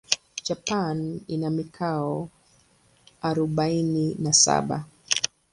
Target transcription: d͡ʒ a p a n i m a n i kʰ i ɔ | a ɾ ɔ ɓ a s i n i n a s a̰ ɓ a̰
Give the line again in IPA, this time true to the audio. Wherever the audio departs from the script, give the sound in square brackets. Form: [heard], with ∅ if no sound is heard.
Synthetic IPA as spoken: d͡ʒ a p a n i [n] a [m] i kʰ [a] ɔ | a ɾ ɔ ɓ a [∅] i n i n a s a̰ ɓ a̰